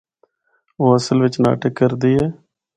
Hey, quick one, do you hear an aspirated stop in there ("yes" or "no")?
no